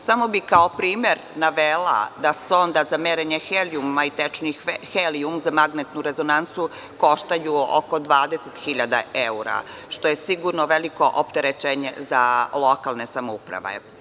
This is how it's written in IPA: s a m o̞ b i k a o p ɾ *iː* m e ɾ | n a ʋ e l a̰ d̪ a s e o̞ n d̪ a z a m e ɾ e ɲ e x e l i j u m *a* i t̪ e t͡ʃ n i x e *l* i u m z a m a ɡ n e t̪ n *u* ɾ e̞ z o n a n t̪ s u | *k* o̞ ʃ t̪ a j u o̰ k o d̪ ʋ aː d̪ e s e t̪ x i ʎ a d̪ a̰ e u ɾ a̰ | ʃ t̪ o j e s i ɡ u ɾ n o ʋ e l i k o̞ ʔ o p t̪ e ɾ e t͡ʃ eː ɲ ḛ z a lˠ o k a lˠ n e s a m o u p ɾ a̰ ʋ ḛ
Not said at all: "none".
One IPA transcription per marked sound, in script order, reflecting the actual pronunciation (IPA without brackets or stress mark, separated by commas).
iː, a, l, u, k